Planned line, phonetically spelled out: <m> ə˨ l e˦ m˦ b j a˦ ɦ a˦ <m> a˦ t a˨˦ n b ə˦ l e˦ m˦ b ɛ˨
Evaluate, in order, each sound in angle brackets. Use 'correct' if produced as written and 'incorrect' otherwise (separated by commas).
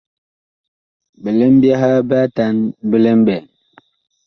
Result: incorrect, incorrect